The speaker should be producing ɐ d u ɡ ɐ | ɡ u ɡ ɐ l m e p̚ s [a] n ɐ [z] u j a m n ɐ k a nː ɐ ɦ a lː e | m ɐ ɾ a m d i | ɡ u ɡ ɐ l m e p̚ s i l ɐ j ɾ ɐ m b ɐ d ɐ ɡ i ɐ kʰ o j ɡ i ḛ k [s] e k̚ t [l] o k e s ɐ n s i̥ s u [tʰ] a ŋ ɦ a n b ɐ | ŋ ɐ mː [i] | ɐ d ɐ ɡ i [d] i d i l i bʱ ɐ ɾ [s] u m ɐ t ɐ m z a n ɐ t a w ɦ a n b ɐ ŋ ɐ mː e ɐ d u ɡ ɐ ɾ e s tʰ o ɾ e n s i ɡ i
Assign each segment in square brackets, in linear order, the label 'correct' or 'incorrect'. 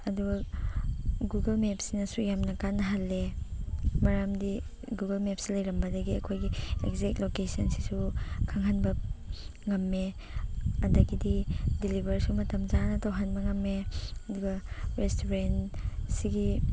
incorrect: i, incorrect: s, incorrect: z, correct, incorrect: kʰ, incorrect: e, correct, correct

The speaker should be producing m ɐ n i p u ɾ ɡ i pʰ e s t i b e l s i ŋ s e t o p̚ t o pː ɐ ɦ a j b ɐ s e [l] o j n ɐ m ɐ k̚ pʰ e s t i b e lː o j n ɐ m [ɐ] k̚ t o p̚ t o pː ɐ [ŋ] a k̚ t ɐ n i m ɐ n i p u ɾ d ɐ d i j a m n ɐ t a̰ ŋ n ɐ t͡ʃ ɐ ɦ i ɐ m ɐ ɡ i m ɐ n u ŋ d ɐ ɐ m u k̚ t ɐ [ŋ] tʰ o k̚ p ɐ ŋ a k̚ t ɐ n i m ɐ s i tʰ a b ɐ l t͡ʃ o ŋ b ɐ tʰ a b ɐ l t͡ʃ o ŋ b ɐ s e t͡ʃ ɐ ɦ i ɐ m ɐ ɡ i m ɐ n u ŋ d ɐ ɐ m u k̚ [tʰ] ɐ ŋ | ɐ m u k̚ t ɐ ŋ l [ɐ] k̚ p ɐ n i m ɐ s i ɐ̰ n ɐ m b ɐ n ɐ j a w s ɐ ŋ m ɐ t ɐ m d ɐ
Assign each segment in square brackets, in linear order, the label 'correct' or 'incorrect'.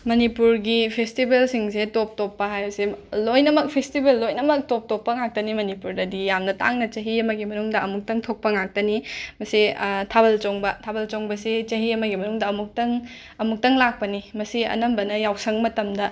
correct, correct, correct, correct, incorrect: t, incorrect: a

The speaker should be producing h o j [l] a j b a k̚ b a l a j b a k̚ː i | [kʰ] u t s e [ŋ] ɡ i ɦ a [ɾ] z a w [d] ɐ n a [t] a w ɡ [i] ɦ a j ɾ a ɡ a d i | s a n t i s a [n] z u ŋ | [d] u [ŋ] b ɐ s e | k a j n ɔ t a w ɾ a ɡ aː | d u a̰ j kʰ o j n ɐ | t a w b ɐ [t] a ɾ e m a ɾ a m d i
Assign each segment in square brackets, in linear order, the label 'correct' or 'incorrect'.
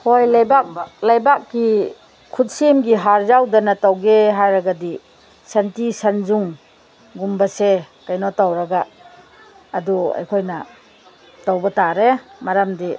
correct, correct, incorrect: m, correct, correct, correct, incorrect: e, correct, incorrect: ɡ, incorrect: m, correct

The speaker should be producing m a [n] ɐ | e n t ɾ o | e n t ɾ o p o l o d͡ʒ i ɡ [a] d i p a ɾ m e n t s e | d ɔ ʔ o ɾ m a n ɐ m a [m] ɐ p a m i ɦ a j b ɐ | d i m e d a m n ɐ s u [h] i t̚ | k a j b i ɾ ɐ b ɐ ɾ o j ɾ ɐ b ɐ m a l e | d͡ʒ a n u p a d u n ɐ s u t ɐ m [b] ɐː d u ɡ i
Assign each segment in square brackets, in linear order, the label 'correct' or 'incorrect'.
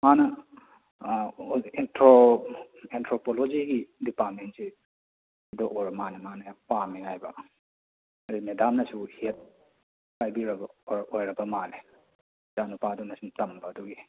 correct, incorrect: i, incorrect: n, correct, correct

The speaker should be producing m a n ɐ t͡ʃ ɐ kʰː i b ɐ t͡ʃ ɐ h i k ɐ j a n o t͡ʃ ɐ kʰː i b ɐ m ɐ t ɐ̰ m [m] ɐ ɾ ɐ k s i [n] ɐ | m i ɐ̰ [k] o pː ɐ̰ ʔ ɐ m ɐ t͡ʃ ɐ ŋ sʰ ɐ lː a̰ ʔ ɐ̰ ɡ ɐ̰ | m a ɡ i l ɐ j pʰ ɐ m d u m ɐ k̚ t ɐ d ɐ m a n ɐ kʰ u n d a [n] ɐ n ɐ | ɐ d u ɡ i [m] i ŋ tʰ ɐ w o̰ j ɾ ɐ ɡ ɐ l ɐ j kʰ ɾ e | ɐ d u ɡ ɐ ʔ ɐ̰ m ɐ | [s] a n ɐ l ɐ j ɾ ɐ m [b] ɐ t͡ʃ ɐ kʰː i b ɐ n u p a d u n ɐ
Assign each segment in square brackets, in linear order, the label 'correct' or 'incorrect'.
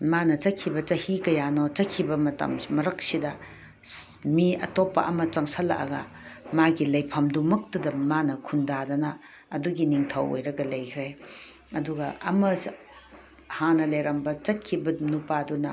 correct, incorrect: d, incorrect: t, incorrect: d, incorrect: n, incorrect: h, correct

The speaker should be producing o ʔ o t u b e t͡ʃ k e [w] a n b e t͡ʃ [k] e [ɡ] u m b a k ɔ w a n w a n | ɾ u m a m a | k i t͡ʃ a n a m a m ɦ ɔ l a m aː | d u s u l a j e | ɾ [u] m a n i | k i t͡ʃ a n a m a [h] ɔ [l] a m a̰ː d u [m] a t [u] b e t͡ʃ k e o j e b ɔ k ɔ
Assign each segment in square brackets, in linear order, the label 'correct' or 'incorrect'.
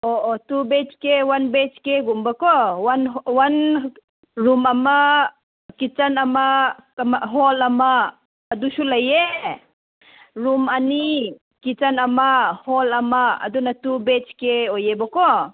correct, correct, correct, correct, correct, correct, incorrect: n, correct

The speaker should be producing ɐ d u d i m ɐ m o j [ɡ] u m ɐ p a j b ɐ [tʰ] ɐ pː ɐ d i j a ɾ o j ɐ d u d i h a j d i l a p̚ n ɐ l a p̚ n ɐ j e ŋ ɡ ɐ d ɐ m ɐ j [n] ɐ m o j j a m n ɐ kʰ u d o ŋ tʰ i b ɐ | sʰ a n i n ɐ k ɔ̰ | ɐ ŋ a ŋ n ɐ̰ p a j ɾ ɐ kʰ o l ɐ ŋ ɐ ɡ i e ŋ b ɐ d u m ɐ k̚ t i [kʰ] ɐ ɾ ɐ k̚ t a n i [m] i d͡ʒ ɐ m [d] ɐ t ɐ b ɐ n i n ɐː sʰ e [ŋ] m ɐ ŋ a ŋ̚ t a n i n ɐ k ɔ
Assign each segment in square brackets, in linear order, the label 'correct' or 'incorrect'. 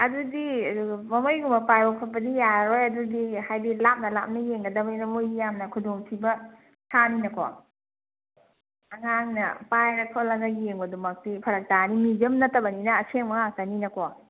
correct, incorrect: pʰ, correct, incorrect: pʰ, correct, incorrect: n, correct

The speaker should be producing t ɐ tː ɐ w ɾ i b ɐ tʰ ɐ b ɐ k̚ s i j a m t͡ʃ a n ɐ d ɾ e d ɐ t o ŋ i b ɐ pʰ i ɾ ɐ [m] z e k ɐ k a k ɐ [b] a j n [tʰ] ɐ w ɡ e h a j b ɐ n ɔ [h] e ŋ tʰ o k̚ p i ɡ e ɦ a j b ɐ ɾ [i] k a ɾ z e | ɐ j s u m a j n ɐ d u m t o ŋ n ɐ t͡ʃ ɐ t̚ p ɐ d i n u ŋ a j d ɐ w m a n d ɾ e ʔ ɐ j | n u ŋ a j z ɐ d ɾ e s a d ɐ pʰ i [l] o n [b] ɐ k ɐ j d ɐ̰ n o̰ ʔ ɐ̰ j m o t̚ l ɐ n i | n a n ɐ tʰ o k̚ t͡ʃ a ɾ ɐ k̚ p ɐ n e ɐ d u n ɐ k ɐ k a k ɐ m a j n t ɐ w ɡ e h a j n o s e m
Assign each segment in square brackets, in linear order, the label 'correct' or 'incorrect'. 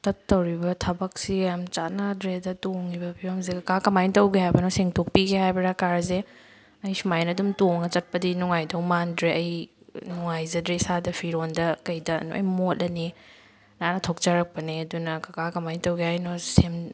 correct, incorrect: m, incorrect: t, incorrect: s, incorrect: a, incorrect: ɾ, incorrect: d

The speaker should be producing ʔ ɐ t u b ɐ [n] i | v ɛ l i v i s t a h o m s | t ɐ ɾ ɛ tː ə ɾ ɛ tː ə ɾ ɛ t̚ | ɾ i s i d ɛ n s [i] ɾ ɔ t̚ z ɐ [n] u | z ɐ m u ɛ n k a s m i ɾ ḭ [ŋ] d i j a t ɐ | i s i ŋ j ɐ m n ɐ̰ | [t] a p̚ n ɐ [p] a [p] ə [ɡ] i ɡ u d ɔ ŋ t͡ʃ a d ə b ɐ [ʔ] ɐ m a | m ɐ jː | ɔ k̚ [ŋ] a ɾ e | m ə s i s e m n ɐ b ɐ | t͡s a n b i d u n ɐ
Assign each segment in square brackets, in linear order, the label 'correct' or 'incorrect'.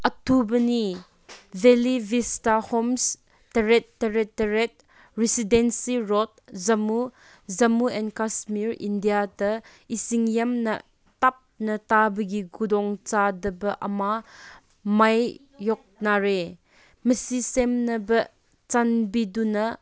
correct, correct, incorrect: m, incorrect: n, correct, incorrect: t, incorrect: b, correct, correct, incorrect: n

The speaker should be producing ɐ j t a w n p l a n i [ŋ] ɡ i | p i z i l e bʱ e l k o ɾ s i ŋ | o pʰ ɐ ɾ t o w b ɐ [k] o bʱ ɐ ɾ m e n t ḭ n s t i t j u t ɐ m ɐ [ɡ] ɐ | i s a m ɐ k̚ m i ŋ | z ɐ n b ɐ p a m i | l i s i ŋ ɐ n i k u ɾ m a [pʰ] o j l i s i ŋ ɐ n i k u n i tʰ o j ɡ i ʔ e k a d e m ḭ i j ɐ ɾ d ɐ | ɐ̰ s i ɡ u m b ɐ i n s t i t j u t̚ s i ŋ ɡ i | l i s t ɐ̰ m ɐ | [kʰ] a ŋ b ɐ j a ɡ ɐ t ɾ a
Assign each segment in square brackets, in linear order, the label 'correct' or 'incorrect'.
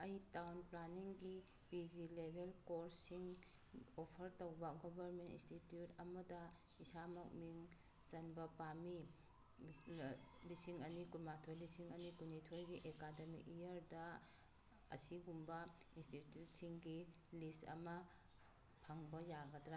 correct, incorrect: ɡ, incorrect: d, incorrect: tʰ, incorrect: pʰ

